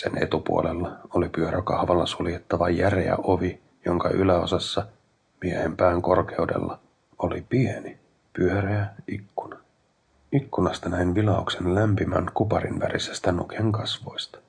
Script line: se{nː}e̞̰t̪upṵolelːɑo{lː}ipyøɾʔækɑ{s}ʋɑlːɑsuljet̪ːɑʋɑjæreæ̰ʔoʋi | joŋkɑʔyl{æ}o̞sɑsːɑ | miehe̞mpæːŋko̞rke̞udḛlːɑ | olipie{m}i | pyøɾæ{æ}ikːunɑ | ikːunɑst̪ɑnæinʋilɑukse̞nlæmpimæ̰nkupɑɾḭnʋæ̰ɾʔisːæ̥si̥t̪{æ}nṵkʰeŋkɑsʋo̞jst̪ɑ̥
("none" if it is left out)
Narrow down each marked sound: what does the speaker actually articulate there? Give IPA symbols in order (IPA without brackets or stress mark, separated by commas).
n, l, h, æ, n, æ, æ